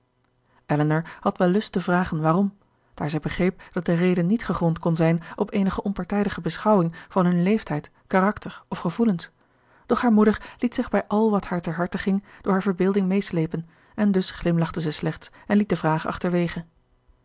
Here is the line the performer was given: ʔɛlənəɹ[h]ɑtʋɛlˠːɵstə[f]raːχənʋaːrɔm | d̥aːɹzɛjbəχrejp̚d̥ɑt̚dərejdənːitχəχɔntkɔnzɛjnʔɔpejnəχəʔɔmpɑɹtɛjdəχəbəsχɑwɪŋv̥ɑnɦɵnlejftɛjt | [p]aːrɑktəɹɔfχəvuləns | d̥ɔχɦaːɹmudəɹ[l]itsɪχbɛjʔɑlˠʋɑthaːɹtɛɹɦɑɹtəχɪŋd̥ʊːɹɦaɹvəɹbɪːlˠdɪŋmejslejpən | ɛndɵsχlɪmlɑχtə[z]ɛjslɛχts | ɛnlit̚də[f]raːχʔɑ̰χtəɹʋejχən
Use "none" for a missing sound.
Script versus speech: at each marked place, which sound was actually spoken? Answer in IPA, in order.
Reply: h, v, k, l, z, v

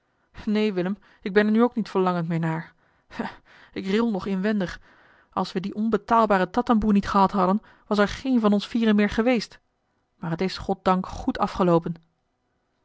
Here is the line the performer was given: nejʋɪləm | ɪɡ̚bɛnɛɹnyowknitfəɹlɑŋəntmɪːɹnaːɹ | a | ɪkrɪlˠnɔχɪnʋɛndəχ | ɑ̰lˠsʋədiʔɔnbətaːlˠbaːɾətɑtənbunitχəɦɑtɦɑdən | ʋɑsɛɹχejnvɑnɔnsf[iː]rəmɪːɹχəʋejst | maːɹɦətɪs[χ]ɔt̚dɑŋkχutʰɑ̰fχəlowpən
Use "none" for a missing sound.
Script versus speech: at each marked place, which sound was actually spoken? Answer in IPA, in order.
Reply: iː, χ

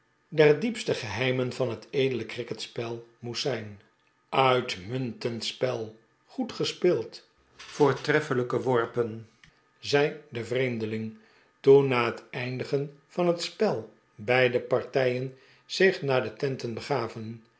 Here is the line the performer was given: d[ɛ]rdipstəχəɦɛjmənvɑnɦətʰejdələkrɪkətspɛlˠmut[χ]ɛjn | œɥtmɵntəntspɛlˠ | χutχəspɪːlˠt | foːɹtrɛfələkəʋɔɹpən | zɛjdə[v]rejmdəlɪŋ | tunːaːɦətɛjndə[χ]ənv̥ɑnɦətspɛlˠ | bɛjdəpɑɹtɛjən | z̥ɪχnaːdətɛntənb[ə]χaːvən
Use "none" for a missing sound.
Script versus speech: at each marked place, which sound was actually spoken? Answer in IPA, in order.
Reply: ɛ, s, v, χ, ə

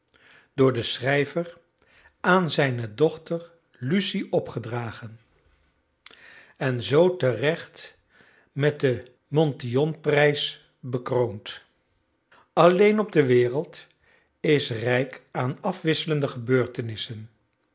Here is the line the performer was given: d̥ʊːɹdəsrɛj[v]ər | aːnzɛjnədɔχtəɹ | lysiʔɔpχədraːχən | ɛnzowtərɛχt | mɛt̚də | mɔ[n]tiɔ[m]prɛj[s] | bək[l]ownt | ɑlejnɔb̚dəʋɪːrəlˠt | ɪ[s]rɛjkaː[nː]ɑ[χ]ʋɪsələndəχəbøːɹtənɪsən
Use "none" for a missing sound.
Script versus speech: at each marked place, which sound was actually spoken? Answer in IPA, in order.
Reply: v, n, n, s, r, s, n, f

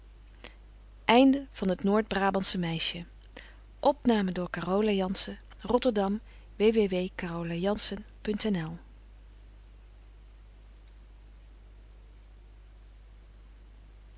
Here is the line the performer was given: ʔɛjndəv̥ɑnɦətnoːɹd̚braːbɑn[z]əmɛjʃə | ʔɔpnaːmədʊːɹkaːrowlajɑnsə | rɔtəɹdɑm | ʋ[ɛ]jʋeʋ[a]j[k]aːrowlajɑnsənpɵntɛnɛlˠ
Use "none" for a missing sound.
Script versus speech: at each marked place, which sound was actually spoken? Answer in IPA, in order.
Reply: s, e, e, k

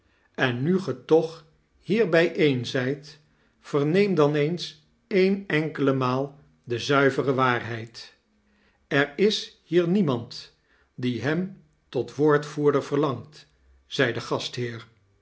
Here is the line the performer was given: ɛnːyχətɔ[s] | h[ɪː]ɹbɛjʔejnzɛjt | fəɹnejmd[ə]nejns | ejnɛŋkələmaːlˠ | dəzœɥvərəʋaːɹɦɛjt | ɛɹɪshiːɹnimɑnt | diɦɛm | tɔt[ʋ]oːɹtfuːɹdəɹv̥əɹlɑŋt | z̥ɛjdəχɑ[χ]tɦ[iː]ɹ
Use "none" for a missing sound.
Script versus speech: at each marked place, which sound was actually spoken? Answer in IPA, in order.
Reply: χ, iː, ɑ, ʋ, s, ɪː

